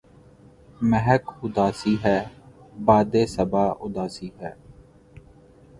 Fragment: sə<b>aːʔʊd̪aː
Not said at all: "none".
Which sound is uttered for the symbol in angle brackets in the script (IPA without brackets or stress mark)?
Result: b